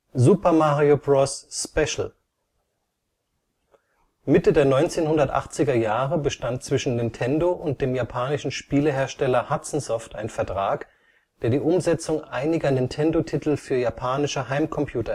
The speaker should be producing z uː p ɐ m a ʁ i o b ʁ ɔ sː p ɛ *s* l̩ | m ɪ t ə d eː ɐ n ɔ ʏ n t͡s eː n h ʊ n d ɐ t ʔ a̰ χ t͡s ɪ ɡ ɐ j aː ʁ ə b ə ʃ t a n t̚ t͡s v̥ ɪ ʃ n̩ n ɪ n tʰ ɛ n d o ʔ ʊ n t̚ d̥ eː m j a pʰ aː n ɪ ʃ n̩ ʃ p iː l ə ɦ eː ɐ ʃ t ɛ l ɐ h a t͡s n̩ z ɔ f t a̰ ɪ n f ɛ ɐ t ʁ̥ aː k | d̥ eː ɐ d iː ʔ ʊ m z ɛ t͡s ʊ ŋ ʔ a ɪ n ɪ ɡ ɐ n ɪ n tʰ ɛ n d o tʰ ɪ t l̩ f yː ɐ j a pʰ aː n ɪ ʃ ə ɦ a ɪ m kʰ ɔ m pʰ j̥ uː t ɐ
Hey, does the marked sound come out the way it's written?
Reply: no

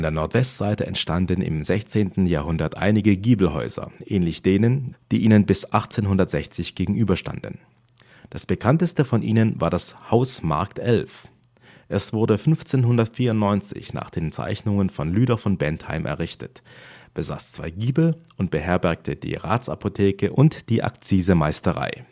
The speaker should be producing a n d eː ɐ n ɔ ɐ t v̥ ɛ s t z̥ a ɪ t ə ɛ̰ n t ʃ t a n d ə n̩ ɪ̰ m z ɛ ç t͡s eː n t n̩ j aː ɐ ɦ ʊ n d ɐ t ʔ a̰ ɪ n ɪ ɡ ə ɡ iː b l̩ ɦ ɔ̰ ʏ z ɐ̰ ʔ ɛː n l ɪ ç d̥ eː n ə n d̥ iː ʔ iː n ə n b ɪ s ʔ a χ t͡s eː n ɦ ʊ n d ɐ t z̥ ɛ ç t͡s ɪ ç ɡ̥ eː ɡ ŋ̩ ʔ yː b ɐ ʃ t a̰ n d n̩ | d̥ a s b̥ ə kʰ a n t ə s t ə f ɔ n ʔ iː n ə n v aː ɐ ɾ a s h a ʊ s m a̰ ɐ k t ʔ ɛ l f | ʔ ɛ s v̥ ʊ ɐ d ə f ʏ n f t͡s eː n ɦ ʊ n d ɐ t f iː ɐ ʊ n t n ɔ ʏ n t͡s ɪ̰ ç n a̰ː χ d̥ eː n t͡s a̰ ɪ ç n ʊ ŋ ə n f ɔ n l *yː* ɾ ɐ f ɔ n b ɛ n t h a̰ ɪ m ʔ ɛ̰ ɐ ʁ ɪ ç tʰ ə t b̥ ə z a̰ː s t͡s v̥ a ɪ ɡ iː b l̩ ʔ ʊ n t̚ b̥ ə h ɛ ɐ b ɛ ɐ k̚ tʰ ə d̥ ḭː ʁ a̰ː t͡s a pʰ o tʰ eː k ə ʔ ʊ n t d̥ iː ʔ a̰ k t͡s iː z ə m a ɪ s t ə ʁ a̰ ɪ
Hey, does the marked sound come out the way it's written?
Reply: yes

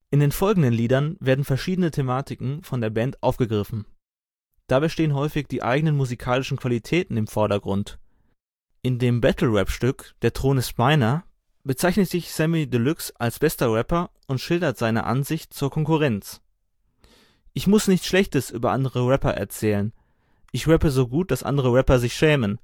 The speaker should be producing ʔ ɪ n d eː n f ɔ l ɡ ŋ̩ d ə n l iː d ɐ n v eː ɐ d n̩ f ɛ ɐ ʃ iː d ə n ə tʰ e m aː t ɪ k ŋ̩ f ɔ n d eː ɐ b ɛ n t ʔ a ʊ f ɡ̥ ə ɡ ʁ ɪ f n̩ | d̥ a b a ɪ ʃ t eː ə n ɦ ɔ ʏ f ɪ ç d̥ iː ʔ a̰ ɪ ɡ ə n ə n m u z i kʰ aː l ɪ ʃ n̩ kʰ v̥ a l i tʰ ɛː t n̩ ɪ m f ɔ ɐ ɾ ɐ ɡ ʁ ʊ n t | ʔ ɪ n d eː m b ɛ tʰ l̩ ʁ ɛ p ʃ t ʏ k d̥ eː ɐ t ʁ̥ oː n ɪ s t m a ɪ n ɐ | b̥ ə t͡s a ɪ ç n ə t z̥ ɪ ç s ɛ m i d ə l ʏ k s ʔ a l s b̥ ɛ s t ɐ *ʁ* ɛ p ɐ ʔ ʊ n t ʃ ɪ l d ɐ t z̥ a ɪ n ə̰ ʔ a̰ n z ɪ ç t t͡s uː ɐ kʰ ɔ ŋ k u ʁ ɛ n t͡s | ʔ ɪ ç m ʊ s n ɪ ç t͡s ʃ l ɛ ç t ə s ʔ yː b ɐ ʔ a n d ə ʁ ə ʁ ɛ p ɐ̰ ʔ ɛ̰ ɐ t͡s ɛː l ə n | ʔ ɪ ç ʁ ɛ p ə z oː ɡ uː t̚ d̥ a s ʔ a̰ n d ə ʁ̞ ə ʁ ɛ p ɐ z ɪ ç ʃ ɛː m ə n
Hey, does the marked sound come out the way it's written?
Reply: yes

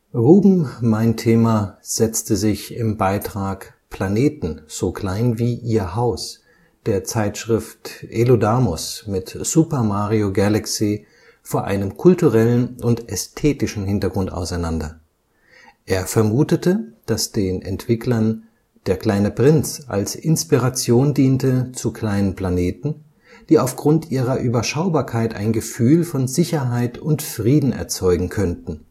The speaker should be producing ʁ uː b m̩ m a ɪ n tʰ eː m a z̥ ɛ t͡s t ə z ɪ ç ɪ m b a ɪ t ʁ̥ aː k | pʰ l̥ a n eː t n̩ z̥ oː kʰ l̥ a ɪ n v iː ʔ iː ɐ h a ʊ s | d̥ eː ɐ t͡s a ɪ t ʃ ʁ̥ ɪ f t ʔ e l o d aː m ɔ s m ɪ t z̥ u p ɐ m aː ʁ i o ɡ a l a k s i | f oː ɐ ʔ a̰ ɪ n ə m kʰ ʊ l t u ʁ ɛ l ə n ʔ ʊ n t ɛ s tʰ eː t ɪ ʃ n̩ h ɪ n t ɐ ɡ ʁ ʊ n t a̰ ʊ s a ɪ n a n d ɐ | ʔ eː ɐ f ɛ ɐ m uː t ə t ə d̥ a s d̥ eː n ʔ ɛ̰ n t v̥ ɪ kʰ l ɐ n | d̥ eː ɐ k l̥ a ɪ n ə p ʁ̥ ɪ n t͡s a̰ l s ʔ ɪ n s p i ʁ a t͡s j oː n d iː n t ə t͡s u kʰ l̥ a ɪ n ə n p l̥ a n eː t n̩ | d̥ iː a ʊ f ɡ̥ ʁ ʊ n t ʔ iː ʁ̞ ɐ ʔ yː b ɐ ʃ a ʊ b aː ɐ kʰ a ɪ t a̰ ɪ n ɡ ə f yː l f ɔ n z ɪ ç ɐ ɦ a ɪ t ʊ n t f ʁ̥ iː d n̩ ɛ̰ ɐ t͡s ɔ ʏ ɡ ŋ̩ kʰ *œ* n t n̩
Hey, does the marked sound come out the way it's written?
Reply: yes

